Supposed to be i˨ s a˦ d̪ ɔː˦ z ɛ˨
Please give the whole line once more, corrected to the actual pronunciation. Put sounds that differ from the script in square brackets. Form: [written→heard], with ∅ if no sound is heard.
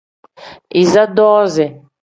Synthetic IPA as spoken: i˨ [s→z] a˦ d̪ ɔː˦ z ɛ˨